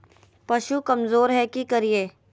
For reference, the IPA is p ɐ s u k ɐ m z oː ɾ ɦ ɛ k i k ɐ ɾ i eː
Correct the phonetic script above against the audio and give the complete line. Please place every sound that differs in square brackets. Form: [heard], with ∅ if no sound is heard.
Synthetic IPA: p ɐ [ʃ] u k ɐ m z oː ɾ ɦ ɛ k i k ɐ ɾ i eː